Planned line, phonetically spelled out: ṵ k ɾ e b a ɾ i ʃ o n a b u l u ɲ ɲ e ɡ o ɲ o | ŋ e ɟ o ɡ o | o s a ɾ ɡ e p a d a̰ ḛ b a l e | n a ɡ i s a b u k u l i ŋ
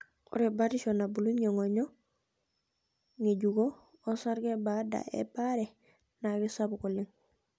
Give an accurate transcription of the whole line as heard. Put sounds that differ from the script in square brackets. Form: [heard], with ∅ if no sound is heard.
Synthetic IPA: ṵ [∅] ɾ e b a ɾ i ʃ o n a b u l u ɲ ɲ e [ŋ] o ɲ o | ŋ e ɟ [u] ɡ o | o s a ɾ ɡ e [b] a d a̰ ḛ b a [ɾ] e | n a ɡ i s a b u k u l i ŋ